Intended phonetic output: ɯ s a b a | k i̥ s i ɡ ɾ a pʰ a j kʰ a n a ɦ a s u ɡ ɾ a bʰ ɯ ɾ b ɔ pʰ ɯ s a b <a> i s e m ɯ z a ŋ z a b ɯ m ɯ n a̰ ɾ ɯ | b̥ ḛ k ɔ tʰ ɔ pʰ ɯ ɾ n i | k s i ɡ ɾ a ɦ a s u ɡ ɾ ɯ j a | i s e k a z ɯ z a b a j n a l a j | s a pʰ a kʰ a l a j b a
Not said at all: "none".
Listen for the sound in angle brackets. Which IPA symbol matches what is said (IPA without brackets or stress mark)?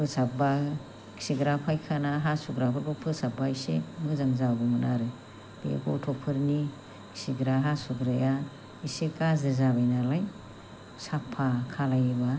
a